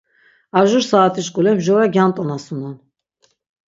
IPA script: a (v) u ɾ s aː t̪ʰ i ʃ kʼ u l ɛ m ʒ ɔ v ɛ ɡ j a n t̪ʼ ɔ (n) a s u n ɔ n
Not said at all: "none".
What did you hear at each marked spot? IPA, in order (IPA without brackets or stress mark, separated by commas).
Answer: ʒ, n